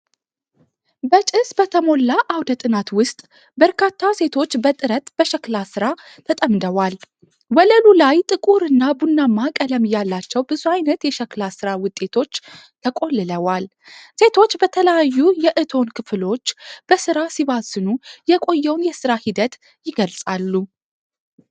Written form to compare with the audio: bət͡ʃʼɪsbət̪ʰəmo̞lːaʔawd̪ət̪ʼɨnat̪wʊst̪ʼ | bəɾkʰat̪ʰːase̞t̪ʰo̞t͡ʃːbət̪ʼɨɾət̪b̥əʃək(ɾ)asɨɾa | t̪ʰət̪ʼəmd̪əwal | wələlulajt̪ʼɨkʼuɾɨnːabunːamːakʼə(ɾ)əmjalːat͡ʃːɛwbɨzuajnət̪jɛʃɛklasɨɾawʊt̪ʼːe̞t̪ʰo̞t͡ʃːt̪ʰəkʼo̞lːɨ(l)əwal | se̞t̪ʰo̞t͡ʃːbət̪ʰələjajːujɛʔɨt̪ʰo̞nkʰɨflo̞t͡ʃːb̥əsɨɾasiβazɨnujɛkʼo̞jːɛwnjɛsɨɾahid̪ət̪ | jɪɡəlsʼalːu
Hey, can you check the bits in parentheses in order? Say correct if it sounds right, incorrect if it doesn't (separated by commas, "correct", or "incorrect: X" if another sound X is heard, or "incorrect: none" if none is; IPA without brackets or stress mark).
incorrect: l, incorrect: l, correct